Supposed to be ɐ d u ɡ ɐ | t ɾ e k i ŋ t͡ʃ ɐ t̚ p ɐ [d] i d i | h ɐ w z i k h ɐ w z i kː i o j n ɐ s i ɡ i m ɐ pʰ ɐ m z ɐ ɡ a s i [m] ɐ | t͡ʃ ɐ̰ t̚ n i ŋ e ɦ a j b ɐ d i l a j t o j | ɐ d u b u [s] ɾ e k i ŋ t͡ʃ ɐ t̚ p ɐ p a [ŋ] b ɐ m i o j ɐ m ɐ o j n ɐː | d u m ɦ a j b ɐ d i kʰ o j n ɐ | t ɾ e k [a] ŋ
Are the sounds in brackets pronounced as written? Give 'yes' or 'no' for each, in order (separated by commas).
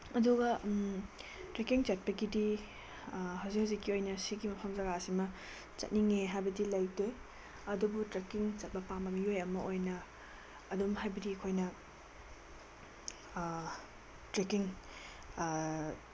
no, yes, no, no, no